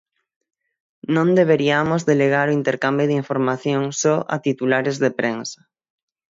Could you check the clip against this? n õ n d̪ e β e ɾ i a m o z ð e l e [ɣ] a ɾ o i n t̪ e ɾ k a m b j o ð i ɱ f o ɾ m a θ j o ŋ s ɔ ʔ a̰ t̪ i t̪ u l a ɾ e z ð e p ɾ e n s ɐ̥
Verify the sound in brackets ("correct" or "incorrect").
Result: correct